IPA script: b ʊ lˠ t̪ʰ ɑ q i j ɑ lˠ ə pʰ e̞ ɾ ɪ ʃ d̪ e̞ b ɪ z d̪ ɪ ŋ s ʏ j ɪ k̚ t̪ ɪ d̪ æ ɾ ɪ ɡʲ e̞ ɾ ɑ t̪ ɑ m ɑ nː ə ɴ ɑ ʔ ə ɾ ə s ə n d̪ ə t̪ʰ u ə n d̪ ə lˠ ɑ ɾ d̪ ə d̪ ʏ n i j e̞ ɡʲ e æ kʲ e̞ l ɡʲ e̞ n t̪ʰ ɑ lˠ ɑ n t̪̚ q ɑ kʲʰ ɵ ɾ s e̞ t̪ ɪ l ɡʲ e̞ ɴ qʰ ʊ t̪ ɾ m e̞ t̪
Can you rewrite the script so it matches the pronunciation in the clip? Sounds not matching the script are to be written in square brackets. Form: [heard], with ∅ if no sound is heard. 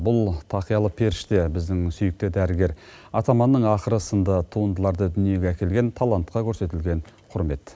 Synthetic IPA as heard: b ʊ lˠ t̪ʰ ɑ q i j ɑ lˠ ə pʰ e̞ ɾ ɪ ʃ [t̪] e̞ b ɪ z d̪ ɪ ŋ s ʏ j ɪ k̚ t̪ ɪ d̪ æ ɾ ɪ ɡʲ e̞ ɾ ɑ t̪ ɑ m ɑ nː ə ɴ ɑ [q] ə ɾ ə s ə n d̪ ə t̪ʰ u ə n d̪ ə lˠ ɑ ɾ d̪ ə d̪ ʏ n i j e̞ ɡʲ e æ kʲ e̞ l ɡʲ e̞ n t̪ʰ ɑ lˠ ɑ n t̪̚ q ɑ kʲʰ ɵ ɾ s e̞ t̪ ɪ l ɡʲ e̞ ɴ qʰ ʊ [∅] ɾ m e̞ t̪